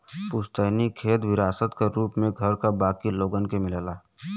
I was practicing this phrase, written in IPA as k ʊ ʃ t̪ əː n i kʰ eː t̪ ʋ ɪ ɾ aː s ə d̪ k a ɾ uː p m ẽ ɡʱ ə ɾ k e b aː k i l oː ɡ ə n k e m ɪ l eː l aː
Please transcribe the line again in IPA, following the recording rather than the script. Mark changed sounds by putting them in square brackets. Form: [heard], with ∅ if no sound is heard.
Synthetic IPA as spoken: [p] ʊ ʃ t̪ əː n i kʰ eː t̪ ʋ ɪ ɾ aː s ə [t̪] k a ɾ uː p m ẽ ɡʱ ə ɾ k [a] b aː k i l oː ɡ ə n k e m ɪ l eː l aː